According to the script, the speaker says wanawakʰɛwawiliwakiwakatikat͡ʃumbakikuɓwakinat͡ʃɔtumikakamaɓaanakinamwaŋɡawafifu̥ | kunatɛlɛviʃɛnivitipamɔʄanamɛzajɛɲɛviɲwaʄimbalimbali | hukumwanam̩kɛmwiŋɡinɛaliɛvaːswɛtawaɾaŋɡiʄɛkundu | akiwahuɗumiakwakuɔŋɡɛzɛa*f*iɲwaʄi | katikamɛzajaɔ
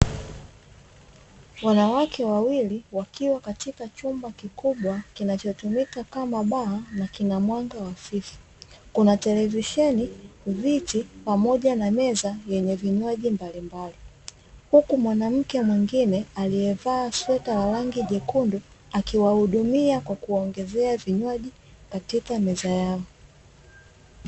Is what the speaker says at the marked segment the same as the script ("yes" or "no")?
no